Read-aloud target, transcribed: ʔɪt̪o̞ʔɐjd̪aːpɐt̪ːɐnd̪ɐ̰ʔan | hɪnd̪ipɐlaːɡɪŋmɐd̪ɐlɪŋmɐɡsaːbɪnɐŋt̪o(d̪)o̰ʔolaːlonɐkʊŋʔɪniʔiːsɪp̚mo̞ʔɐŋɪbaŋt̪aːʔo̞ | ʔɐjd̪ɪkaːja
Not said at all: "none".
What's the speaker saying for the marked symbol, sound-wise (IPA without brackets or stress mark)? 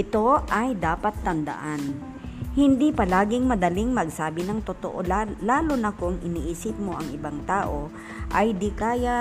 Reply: t̪